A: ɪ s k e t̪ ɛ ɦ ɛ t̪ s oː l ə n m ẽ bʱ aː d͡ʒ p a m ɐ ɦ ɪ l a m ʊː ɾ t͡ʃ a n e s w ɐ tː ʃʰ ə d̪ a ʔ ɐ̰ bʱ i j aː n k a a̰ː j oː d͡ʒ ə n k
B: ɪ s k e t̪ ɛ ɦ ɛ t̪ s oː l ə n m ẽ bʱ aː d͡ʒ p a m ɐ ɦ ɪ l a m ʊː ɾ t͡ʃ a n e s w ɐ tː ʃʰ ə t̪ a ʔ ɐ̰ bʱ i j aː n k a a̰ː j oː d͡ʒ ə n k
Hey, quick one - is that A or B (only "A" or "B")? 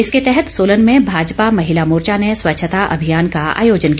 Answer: B